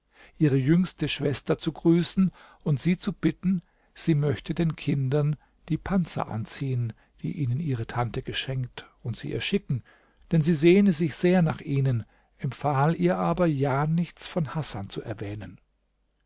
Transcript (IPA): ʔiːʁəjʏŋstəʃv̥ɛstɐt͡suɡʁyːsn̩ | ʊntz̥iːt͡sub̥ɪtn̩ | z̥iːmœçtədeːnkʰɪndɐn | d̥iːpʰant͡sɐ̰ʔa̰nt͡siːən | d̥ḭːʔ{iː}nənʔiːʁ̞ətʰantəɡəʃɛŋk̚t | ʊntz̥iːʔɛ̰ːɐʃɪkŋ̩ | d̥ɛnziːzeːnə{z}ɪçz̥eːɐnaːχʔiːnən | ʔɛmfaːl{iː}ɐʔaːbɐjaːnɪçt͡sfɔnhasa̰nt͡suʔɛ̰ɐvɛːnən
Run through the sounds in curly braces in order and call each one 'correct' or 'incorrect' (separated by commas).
correct, correct, correct